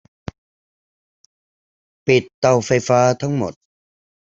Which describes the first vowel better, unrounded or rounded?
unrounded